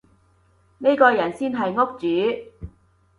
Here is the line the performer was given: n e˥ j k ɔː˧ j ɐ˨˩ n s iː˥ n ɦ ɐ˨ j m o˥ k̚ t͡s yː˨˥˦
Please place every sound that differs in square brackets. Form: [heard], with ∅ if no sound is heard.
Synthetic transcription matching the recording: n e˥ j k ɔː˧ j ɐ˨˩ n s iː˥ n ɦ ɐ˨ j [ŋ] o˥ k̚ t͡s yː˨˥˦